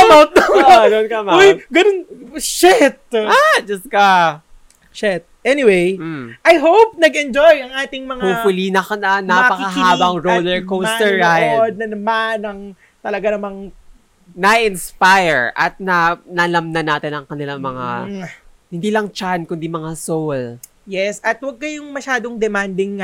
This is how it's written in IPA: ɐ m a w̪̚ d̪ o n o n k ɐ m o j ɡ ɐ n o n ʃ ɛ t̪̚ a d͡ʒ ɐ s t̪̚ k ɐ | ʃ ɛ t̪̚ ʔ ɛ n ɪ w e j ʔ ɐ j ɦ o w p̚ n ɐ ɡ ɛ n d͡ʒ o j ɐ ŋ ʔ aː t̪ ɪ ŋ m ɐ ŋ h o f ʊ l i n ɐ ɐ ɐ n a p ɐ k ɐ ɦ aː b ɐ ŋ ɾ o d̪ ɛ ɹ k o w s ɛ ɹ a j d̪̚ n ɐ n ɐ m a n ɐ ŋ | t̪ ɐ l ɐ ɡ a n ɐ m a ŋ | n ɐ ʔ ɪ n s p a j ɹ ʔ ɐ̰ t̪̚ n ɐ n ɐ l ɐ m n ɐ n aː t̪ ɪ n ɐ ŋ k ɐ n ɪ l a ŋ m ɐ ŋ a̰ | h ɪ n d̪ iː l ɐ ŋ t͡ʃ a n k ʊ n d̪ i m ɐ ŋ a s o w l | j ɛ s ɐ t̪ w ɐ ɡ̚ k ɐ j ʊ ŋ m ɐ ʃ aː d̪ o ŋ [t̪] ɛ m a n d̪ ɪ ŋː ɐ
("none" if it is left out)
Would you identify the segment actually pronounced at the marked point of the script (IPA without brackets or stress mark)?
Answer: d̪